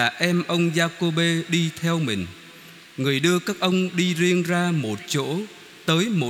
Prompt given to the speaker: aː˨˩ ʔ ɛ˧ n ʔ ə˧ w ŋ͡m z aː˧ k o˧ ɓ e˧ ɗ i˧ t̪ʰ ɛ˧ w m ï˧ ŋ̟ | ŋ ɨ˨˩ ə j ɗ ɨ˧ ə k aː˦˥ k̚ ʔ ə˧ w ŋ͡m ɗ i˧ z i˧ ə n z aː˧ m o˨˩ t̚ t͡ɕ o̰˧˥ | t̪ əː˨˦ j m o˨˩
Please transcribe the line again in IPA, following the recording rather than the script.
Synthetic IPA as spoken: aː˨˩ ʔ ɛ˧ m ʔ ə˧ w ŋ͡m z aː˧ k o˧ ɓ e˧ ɗ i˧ t̪ʰ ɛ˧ w m ï˨˩ ŋ̟ | ŋ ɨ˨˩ ə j ɗ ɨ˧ ə k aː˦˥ k̚ ʔ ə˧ w ŋ͡m ɗ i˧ z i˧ ə n z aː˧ m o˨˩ t̚ t͡ɕ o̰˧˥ | t̪ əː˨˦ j m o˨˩